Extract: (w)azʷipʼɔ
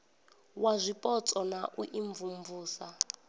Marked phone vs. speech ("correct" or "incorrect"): correct